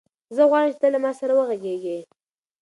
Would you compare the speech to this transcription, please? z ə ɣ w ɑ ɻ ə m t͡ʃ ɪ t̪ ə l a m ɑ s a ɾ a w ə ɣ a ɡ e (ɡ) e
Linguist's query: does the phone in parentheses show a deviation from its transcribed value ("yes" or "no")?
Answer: no